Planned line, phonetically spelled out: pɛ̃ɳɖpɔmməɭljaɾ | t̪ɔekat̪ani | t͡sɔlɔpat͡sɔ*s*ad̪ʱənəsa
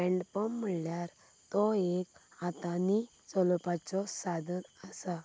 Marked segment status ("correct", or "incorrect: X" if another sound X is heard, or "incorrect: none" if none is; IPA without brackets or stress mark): correct